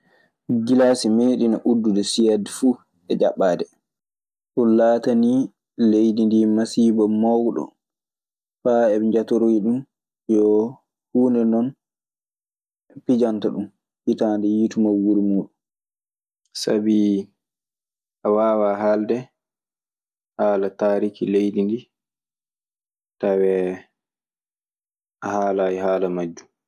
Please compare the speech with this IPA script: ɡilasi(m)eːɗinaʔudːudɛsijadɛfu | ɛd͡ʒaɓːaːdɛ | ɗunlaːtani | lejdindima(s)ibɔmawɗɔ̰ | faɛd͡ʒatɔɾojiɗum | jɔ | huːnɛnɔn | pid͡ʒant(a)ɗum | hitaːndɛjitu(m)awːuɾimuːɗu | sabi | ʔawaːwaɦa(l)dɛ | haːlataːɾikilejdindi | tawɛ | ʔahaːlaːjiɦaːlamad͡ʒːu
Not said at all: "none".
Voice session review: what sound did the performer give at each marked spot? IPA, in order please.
m, s, a, m, l

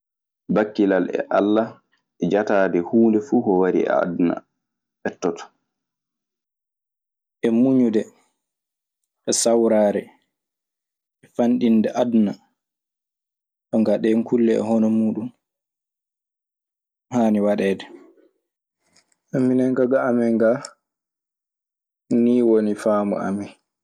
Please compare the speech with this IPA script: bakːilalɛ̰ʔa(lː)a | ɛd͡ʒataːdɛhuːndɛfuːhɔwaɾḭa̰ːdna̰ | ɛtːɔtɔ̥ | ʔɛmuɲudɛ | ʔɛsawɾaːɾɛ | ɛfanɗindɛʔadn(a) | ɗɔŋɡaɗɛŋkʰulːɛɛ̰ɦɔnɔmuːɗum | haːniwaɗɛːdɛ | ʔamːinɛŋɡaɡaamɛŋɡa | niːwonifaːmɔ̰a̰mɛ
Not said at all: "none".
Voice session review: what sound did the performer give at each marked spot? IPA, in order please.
lː, a

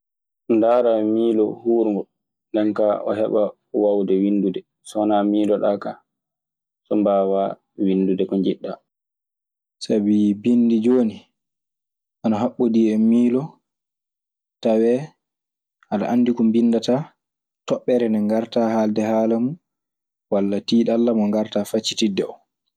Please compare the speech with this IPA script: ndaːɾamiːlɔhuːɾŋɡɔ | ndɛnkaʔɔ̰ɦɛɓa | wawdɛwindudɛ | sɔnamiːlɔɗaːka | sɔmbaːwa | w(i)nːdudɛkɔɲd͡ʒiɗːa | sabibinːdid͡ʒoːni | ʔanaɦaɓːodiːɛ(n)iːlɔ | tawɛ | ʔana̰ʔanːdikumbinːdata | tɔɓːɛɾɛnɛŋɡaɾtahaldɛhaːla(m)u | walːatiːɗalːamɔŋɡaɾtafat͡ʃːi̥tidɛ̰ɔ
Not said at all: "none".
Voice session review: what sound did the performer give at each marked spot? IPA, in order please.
i, m, m

